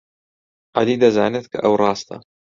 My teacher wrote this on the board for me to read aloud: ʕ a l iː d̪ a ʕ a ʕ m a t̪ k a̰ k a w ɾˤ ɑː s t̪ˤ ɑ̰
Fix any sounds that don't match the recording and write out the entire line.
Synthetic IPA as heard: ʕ a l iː d̪ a z a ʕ n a t̪ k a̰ ʔ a w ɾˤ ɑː s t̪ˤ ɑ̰